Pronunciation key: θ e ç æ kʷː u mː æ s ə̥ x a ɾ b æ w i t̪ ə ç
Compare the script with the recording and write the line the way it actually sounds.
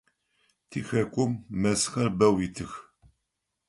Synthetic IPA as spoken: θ i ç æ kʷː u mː æ s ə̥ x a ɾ b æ w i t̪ ə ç